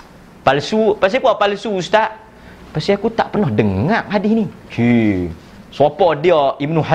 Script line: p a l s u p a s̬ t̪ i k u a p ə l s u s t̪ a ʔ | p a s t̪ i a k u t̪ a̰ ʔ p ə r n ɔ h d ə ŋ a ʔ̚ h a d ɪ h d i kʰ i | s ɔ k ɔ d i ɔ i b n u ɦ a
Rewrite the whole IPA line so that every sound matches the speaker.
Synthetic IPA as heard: p a l s u p a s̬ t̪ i k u a p a l s u s t̪ a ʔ | p a s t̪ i a k u t̪ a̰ ʔ p ə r n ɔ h d ə ŋ a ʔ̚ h a d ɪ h n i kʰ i | s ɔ p ɔ d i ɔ i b n u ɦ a